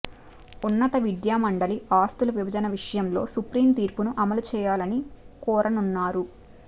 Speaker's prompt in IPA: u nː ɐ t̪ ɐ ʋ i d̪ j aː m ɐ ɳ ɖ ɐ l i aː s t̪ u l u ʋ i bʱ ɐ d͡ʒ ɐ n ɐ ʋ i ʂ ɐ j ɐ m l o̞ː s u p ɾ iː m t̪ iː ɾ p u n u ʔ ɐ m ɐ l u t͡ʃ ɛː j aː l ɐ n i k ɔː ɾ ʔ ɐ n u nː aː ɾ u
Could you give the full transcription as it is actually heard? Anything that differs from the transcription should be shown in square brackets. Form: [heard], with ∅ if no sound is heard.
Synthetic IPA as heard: u nː ɐ t̪ ɐ ʋ i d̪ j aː m ɐ ɳ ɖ ɐ l i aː s t̪ u l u ʋ i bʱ ɐ d͡ʒ ɐ n ɐ ʋ i ʂ ɐ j ɐ m l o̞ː s u p ɾ iː m t̪ iː ɾ p u n u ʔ ɐ m ɐ l u t͡ʃ ɛː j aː l ɐ n i k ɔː ɾ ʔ ɐ n u nː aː ɾ u